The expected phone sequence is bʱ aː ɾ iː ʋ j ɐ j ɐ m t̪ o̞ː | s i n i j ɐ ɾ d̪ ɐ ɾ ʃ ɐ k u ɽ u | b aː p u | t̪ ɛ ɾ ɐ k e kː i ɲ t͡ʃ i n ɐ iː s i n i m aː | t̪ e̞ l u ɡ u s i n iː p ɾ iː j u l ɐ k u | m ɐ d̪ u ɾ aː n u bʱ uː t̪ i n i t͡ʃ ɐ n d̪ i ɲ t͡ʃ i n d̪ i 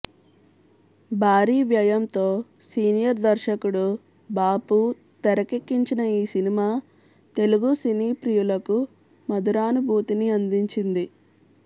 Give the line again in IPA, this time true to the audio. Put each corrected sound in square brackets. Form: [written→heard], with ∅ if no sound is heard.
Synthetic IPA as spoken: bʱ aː ɾ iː ʋ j ɐ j ɐ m t̪ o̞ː | s [i→iː] n i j ɐ ɾ d̪ ɐ ɾ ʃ ɐ k u ɽ u | b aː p u | t̪ ɛ ɾ ɐ k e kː i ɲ t͡ʃ i n ɐ iː s i n i m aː | t̪ e̞ l u ɡ u s i n iː p ɾ [iː→i] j u l ɐ k u | m ɐ d̪ u ɾ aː n u bʱ uː t̪ i n i [t͡ʃ→∅] ɐ n d̪ i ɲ t͡ʃ i n d̪ i